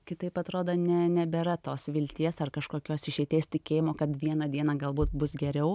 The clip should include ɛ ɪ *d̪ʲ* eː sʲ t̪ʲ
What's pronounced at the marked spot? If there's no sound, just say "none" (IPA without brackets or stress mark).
t̪ʲ